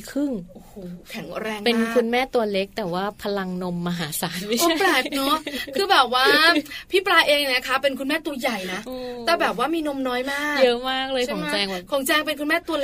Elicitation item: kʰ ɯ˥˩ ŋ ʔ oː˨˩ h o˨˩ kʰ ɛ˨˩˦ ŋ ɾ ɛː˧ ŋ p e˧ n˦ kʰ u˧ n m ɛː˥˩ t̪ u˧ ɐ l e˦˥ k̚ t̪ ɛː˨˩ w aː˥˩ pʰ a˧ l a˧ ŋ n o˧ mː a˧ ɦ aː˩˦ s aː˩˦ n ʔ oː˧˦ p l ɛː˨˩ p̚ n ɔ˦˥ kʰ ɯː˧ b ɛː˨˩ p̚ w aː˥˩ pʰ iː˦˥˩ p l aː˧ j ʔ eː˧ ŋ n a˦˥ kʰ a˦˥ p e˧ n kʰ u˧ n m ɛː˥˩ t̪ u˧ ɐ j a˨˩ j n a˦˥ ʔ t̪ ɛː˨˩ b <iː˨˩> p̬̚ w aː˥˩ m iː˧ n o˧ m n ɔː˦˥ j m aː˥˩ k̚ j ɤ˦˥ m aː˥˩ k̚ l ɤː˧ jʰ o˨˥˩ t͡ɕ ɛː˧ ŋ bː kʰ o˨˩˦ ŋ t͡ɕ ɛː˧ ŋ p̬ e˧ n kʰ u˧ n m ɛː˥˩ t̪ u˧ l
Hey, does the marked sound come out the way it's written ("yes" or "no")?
no